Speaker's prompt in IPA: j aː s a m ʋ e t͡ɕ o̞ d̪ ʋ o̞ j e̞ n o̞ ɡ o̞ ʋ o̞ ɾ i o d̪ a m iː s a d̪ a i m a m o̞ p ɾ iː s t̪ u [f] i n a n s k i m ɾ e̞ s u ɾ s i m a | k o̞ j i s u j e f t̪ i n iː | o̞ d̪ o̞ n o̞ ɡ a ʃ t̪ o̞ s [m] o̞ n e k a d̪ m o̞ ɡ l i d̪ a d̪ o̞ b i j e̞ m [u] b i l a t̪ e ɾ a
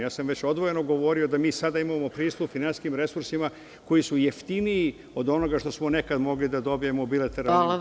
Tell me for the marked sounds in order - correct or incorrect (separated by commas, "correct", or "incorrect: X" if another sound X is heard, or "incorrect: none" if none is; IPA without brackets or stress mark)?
correct, correct, incorrect: o